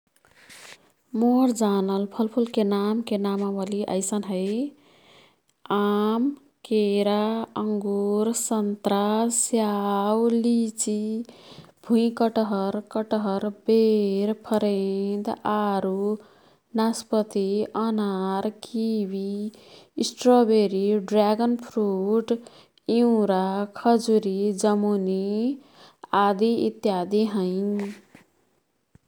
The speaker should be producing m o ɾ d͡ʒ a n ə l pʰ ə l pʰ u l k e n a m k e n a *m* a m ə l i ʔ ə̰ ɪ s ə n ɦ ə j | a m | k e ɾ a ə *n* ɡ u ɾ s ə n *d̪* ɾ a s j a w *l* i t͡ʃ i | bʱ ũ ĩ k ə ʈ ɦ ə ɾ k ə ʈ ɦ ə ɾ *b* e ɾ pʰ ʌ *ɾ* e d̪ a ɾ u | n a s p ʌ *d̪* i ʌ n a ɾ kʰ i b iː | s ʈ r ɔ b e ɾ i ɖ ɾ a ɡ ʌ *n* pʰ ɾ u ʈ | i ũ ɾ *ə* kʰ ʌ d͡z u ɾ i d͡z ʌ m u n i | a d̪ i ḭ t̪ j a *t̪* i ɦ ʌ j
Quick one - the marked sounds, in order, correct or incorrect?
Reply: correct, incorrect, incorrect, correct, correct, correct, incorrect, correct, incorrect, incorrect

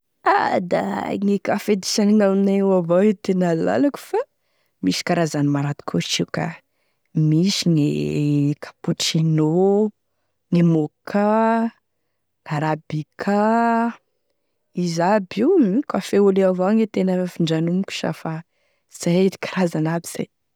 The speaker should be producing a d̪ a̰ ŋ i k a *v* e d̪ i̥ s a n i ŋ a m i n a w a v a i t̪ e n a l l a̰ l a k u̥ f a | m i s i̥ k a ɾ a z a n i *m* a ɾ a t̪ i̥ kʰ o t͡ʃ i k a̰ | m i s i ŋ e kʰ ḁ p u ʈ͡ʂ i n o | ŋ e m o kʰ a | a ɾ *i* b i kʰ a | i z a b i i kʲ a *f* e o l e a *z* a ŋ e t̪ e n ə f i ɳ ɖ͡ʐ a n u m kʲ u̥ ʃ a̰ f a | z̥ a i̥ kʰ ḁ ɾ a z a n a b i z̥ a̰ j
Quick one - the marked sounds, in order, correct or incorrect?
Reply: incorrect, correct, incorrect, correct, incorrect

